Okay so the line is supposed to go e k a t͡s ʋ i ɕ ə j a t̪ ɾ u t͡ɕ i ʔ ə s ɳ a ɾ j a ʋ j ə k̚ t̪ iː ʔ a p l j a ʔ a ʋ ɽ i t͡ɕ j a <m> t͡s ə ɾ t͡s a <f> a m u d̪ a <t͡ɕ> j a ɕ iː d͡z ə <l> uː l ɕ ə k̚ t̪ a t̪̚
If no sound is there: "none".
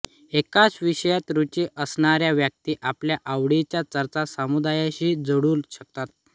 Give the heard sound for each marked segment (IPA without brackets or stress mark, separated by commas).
none, s, none, ɽ